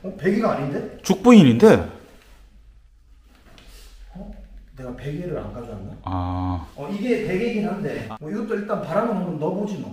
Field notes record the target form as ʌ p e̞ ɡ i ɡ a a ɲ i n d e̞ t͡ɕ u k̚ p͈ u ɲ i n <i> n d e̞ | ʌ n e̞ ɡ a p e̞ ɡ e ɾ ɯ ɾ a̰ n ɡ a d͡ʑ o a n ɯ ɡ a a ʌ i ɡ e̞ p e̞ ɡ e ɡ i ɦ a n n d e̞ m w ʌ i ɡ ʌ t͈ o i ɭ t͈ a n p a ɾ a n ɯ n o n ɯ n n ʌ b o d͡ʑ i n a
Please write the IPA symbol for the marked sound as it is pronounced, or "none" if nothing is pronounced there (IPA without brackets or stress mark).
i